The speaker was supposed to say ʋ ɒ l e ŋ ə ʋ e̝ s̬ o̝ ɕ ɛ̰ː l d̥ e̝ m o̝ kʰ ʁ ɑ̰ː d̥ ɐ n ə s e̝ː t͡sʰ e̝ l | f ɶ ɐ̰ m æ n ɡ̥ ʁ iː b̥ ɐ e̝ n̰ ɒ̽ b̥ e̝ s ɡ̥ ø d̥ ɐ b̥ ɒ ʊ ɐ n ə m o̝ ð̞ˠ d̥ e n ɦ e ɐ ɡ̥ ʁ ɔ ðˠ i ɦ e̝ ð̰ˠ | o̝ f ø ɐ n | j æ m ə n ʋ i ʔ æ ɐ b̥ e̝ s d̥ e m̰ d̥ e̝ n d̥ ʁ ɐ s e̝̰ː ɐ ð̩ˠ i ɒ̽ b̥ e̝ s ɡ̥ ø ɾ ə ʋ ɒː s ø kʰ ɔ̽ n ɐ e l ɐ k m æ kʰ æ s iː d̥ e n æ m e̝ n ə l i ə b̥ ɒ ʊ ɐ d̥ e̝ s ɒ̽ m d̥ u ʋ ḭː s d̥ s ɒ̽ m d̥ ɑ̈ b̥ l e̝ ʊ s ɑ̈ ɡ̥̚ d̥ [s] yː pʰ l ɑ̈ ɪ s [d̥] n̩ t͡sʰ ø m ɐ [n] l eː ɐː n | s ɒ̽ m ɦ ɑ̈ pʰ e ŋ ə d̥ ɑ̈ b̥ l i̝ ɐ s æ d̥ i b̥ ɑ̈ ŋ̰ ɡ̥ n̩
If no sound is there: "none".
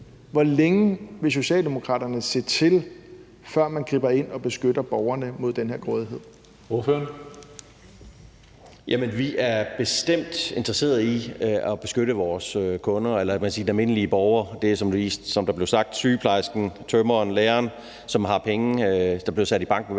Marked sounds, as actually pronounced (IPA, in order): s, ɡ̥, n

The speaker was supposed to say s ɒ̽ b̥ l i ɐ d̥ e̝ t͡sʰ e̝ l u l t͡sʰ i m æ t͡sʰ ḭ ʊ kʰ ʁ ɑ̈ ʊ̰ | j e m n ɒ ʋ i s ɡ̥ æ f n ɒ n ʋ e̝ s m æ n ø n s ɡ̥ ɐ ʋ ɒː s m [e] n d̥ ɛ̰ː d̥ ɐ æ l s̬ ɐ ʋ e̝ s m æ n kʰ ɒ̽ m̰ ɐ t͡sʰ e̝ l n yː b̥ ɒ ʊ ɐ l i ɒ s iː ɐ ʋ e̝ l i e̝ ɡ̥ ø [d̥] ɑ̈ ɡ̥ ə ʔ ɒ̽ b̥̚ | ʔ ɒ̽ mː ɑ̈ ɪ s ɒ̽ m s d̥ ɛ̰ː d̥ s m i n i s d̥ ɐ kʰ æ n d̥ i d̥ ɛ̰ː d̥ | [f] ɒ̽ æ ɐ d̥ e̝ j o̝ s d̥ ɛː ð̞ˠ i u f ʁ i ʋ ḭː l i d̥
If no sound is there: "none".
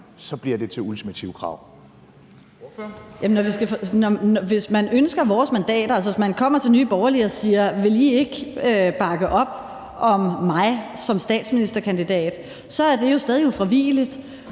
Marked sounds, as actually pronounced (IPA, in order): æ, b̥, s

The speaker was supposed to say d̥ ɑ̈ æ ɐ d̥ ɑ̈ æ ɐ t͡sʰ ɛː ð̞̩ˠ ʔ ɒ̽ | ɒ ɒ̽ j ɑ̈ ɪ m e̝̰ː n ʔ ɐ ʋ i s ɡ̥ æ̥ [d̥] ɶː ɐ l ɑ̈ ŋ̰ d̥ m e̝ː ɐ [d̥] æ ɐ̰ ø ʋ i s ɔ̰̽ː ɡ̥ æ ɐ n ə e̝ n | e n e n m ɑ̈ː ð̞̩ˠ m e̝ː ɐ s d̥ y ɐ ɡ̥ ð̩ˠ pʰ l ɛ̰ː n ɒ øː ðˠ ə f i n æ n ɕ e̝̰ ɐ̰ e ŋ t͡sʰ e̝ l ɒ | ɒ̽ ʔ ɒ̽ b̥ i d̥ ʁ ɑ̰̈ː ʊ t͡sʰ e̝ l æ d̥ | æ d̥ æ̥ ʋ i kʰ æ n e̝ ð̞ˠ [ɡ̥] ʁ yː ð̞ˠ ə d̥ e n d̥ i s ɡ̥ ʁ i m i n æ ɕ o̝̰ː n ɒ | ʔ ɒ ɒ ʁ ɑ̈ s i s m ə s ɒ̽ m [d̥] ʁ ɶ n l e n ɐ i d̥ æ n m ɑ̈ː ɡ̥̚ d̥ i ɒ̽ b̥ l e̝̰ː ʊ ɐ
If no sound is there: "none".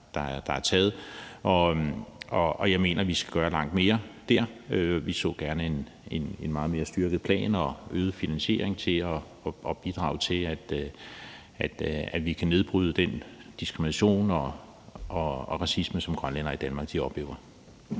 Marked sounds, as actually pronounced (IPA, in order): ɡ̥, d̥, b̥, ɡ̥

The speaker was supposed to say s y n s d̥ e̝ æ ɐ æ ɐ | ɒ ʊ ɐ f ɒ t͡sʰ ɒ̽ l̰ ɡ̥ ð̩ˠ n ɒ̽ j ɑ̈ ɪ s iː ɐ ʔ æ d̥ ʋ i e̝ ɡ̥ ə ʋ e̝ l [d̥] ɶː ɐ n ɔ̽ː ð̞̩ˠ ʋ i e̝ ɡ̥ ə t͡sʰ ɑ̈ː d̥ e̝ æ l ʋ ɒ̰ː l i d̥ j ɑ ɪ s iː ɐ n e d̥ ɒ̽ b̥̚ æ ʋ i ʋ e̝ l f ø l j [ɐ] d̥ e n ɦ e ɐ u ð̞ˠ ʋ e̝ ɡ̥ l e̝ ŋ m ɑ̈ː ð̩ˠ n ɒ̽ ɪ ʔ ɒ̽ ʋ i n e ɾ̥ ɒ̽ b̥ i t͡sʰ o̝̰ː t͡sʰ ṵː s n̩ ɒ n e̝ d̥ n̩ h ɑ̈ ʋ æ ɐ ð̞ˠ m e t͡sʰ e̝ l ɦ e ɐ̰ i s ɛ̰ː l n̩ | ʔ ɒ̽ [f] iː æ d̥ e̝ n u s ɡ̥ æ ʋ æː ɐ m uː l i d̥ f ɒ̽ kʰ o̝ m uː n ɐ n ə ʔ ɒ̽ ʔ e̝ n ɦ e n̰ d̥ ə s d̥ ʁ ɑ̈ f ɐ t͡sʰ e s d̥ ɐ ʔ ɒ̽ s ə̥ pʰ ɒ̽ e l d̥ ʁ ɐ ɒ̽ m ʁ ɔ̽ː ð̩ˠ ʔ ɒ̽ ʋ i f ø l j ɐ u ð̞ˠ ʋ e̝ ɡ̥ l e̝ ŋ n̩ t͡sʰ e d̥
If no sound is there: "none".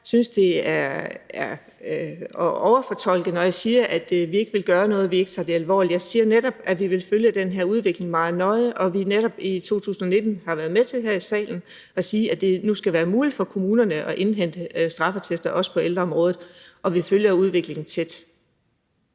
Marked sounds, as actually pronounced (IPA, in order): ɡ̥, ə, s

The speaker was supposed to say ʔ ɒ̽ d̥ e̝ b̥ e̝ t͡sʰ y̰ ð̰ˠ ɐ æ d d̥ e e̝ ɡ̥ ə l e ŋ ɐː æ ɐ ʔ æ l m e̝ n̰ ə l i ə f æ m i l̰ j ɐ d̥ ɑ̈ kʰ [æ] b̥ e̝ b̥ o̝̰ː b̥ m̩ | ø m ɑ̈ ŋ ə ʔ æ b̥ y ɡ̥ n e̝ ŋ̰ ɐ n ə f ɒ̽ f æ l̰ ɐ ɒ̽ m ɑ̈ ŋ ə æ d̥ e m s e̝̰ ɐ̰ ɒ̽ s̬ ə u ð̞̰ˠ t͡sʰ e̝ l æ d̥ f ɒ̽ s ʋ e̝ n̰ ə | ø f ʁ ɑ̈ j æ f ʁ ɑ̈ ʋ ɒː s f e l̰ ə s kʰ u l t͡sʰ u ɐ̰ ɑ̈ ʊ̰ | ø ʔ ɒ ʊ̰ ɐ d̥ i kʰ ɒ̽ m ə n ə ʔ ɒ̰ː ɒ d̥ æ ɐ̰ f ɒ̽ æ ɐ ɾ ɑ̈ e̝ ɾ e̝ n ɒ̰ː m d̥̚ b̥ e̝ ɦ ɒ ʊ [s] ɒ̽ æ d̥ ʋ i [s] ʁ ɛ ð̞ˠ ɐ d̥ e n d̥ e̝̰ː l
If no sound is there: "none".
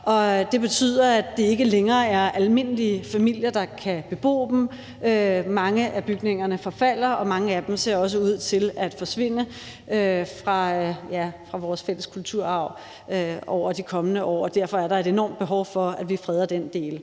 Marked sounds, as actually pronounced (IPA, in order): æ, f, f

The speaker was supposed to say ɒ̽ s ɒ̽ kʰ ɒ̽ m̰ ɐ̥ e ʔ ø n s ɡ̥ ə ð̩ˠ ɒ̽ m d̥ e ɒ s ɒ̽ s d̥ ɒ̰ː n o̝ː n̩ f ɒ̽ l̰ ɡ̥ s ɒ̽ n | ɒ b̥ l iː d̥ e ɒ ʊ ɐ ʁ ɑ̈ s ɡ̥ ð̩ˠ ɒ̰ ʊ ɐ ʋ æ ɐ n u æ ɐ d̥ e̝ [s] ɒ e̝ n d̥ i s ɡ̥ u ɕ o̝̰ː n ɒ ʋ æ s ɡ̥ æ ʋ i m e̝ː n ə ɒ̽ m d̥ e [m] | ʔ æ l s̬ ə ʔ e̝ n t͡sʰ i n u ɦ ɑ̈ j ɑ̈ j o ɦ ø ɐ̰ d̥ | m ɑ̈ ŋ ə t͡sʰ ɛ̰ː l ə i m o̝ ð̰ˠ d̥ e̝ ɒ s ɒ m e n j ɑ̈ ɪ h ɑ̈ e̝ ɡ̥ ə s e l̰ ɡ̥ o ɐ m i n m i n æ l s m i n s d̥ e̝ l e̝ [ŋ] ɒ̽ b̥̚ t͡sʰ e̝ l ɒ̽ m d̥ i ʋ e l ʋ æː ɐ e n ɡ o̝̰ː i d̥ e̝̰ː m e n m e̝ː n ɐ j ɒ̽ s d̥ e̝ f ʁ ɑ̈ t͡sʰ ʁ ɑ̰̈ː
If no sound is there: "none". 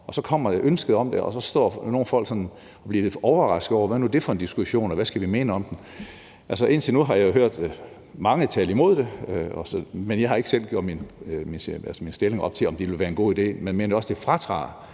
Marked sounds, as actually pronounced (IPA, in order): f, n, ŋ

